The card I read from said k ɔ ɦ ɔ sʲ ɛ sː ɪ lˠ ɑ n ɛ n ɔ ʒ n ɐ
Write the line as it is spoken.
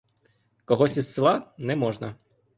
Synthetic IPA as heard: k ɔ ɦ ɔ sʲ i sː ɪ lˠ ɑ n ɛ m ɔ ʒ n ɐ